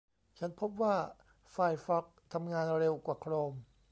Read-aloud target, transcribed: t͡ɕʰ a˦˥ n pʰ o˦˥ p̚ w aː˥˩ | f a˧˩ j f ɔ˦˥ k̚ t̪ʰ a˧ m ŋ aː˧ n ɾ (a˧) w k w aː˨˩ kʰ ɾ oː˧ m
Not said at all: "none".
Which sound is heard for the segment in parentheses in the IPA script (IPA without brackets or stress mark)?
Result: e˧